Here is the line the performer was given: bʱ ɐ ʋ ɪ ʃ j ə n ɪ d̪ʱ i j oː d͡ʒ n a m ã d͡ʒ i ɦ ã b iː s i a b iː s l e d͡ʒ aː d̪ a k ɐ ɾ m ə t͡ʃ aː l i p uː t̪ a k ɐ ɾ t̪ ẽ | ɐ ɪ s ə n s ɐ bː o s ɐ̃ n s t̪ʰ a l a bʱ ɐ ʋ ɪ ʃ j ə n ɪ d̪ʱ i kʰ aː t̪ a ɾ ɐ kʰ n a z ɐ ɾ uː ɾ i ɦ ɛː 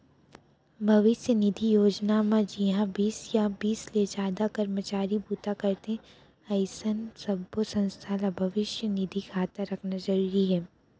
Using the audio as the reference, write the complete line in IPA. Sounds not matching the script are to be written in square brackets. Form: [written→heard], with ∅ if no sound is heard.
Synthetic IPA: bʱ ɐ ʋ ɪ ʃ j ə n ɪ d̪ʱ i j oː d͡ʒ n a m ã d͡ʒ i ɦ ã b iː s [i→j] a b iː s l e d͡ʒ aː d̪ a k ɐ ɾ m ə t͡ʃ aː [l→ɾ] i [p→b] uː t̪ a k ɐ ɾ t̪ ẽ | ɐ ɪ s ə n s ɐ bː o s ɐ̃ n s t̪ʰ a l a bʱ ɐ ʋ ɪ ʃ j ə n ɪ d̪ʱ i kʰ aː t̪ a ɾ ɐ kʰ n a z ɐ ɾ uː ɾ i ɦ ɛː